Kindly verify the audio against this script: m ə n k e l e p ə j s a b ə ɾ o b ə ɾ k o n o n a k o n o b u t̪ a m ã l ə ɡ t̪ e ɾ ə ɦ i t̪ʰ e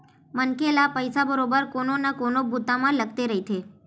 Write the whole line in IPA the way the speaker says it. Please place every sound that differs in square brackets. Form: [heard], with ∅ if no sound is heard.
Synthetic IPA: m ə n k e l [a] p ə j s a b ə ɾ o b ə ɾ k o n o n a k o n o b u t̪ a m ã l ə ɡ t̪ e ɾ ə ɦ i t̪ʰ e